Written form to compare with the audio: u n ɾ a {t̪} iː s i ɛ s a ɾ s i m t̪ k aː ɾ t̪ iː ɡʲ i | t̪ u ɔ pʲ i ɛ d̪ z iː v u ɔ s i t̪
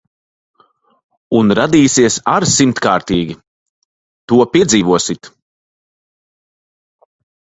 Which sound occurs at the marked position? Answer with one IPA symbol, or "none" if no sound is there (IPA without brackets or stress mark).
d̪